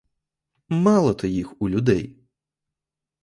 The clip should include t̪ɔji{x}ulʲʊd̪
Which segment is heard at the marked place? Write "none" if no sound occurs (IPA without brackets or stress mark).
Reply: x